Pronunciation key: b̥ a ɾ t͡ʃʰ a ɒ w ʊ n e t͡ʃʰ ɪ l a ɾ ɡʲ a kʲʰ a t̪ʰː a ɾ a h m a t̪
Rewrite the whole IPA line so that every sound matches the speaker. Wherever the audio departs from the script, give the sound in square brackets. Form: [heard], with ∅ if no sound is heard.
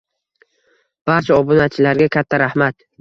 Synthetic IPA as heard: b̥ a ɾ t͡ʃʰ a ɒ [b] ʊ n [a] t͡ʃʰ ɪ l a ɾ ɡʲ a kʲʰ a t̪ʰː a ɾ a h m a t̪